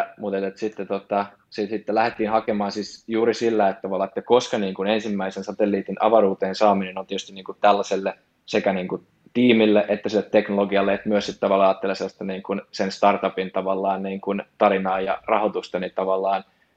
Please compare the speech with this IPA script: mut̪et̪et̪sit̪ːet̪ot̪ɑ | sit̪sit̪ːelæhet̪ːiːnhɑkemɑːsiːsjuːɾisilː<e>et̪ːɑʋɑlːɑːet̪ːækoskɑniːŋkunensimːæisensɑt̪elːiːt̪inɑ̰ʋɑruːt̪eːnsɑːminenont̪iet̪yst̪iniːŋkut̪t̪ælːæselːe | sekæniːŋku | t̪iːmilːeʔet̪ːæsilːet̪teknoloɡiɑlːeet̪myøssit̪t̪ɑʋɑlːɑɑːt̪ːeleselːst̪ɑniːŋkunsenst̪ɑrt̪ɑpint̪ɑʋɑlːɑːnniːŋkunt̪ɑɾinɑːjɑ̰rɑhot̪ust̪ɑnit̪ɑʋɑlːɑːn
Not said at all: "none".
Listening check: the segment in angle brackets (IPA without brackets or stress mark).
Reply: æ